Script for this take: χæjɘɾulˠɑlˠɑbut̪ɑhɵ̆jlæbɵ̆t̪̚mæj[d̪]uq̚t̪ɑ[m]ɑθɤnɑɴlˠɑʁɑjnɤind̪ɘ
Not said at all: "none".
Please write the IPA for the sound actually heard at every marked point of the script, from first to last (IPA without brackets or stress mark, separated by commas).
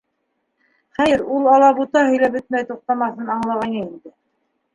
t̪, m